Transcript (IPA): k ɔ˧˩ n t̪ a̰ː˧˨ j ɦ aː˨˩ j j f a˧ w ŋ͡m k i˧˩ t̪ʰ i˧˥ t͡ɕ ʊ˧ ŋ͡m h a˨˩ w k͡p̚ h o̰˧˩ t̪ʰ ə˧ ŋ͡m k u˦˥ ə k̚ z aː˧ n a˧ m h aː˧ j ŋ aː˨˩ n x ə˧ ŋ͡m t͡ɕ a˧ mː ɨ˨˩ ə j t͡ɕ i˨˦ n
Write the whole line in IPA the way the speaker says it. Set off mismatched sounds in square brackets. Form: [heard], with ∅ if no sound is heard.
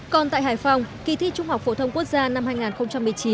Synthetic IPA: k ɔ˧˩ n t̪ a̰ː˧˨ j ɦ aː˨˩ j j f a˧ w ŋ͡m k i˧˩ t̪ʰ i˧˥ t͡ɕ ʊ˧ ŋ͡m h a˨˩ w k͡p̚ [f] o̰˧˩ t̪ʰ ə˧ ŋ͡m k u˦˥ ə k̚ z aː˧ n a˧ m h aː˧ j ŋ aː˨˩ n x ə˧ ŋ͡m t͡ɕ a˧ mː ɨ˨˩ ə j t͡ɕ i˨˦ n